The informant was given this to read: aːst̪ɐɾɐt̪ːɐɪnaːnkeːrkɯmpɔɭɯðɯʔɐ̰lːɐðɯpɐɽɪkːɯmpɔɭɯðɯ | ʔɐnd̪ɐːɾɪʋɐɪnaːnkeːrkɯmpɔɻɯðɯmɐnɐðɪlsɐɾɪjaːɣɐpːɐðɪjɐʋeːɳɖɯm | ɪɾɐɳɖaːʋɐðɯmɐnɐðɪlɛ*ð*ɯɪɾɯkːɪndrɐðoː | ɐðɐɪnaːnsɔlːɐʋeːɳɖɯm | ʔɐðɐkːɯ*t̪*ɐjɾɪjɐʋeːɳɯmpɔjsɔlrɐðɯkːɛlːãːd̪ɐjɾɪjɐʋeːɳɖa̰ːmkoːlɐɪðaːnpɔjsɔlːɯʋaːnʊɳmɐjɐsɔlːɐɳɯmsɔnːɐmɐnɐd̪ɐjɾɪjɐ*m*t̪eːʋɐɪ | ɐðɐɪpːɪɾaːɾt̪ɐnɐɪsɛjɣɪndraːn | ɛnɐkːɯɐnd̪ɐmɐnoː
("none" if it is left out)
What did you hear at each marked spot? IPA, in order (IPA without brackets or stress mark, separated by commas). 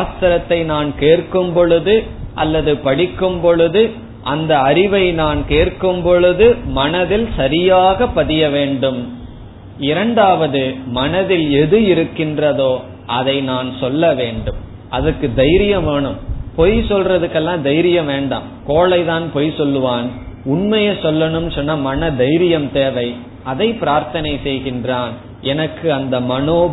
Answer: ð, d̪, m